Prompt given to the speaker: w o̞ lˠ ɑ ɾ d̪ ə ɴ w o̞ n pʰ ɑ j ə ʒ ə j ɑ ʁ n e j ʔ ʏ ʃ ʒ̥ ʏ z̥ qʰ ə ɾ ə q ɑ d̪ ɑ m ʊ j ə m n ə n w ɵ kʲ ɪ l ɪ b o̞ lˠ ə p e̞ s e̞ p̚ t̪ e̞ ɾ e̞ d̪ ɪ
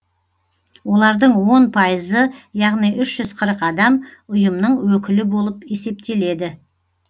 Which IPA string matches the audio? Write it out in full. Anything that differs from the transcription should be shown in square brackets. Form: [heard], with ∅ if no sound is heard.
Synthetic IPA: w o̞ lˠ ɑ ɾ d̪ ə ɴ w o̞ n pʰ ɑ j ə [z] ə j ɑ ʁ n [i] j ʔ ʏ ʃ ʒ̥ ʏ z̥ qʰ ə ɾ ə q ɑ d̪ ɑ m ʊ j ə m n ə [ɴ] w ɵ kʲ ɪ l ɪ b o̞ lˠ ə p e̞ s e̞ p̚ t̪ e̞ [l] e̞ d̪ ɪ